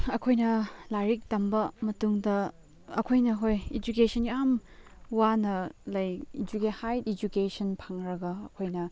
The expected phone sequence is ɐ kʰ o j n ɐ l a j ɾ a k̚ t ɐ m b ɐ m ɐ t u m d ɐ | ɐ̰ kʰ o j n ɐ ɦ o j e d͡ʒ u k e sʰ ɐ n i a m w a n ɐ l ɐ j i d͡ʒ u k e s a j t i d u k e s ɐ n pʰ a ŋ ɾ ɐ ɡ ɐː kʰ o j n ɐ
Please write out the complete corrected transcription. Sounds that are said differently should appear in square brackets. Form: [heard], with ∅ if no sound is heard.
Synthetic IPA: ɐ kʰ o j n ɐ l a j ɾ [i] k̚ t ɐ m b ɐ m ɐ t u [ŋ] d ɐ | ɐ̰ kʰ o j n ɐ ɦ o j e d͡ʒ u k e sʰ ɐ n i a m w a n ɐ l ɐ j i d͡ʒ u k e [h] a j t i [d͡ʒ] u k e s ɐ n pʰ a ŋ ɾ ɐ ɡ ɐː kʰ o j n ɐ